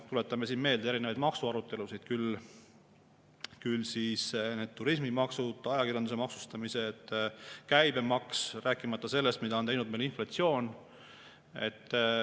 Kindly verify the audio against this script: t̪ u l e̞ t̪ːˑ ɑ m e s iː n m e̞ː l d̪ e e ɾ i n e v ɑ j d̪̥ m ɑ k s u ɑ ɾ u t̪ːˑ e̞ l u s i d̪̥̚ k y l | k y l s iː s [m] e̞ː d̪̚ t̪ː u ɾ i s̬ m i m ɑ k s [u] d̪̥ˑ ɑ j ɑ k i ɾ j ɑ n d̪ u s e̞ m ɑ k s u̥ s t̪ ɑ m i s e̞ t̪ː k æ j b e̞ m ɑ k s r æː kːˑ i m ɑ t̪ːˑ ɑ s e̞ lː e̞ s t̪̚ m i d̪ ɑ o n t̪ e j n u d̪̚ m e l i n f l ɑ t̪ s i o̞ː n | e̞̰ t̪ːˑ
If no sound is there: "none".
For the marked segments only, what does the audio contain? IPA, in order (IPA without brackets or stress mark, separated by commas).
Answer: n, u